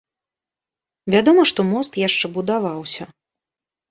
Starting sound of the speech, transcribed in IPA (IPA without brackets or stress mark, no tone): vʲ